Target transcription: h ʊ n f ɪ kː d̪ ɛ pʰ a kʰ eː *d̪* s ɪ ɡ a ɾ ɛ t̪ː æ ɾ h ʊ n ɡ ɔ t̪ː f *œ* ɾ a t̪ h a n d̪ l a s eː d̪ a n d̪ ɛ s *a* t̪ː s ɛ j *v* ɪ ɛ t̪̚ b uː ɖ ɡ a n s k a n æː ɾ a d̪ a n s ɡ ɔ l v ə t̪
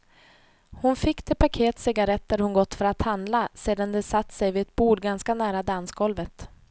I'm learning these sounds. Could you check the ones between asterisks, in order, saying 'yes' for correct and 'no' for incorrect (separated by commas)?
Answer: no, yes, yes, yes